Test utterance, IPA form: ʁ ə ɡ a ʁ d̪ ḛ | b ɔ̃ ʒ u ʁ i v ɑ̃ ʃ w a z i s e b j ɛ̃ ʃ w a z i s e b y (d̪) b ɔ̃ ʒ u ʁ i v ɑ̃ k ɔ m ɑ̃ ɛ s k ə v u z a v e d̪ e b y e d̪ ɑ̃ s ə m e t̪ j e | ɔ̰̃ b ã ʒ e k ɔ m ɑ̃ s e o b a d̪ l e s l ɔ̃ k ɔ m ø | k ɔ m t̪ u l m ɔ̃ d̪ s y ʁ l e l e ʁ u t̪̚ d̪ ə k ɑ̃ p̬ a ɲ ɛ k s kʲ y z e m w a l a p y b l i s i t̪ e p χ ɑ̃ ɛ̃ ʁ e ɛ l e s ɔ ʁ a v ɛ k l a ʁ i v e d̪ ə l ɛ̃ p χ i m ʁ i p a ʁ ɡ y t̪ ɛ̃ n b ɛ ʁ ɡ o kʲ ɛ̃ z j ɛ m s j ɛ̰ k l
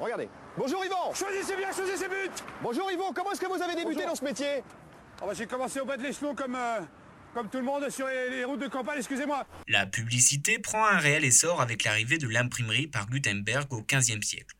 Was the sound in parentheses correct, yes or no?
no